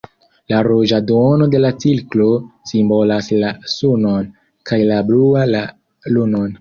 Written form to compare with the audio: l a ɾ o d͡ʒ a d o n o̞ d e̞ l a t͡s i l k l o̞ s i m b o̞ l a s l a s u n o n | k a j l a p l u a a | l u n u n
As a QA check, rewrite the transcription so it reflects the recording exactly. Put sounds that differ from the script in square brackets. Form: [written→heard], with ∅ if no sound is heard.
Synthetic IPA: l a ɾ o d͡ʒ a d o n o̞ d e̞ l a t͡s i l k l o̞ s i m b o̞ l a s l a s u n o n | k a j l a [p→b] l u a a | l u n [u→o] n